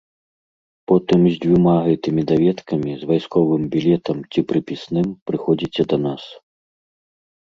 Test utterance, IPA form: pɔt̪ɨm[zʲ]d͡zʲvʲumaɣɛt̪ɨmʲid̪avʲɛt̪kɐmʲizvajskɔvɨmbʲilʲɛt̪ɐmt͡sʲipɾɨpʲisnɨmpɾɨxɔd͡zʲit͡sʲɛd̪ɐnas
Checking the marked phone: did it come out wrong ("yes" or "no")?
no